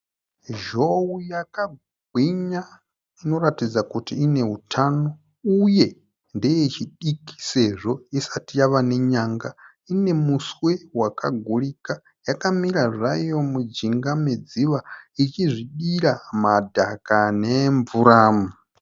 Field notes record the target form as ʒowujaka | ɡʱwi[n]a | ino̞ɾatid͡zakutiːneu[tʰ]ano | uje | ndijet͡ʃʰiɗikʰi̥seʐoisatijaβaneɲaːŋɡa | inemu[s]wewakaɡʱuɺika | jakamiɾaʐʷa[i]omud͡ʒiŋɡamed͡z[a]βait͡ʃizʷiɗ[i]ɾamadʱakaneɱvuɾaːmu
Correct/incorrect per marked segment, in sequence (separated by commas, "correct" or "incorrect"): incorrect, correct, correct, incorrect, incorrect, correct